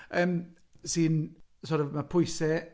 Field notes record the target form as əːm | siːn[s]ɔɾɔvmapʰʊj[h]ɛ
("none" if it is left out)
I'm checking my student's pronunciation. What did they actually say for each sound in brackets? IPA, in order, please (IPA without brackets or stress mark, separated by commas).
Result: s, s